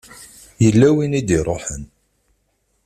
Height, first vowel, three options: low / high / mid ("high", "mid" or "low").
mid